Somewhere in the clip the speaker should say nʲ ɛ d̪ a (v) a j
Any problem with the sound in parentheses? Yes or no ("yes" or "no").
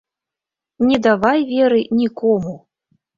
no